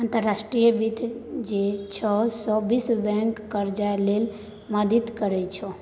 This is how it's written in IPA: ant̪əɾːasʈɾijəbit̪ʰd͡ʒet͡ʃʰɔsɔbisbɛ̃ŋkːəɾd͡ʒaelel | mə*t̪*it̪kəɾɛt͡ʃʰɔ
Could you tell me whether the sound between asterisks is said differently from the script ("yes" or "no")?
yes